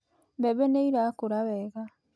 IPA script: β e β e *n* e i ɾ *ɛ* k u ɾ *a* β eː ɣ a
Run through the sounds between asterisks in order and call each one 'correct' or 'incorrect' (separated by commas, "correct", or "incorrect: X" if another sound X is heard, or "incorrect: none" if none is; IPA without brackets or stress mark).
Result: correct, incorrect: a, correct